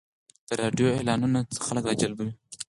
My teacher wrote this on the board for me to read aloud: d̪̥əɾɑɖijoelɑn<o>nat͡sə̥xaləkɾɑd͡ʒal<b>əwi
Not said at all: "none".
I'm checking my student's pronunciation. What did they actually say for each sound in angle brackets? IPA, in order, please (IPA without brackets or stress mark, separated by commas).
u, b